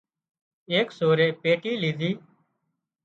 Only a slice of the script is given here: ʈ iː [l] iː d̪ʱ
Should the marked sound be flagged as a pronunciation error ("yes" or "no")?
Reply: no